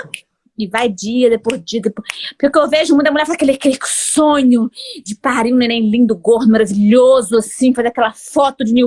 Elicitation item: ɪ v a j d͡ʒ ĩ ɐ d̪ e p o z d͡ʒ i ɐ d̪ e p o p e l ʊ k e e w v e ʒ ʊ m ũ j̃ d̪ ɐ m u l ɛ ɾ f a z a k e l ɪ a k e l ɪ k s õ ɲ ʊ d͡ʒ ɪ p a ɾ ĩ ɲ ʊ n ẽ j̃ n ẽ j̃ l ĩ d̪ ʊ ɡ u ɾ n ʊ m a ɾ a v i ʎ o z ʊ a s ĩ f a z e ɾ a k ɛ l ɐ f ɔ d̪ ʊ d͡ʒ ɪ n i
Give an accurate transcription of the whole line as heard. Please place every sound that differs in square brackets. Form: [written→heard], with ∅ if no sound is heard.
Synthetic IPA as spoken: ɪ v a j d͡ʒ [ĩ→i] ɐ d̪ e p o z d͡ʒ i ɐ d̪ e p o p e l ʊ k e e w v e ʒ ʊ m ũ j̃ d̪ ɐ m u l ɛ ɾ f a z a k e l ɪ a k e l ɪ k s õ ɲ ʊ d͡ʒ ɪ p a ɾ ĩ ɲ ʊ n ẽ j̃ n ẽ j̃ l ĩ d̪ ʊ ɡ [u→o] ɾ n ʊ m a ɾ a v i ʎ o z ʊ a s ĩ f a z e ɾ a k ɛ l ɐ f ɔ [d̪→t̪] ʊ d͡ʒ ɪ n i